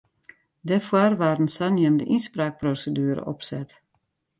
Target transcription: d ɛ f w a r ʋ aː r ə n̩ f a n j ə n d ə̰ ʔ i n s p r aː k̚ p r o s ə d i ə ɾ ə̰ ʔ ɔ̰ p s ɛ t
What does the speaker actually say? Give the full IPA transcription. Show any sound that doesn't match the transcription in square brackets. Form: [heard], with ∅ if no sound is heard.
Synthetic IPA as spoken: d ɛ f w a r ʋ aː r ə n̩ [s] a n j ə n d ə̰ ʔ i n s p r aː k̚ p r o s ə d [y] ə ɾ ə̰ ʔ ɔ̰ p s ɛ t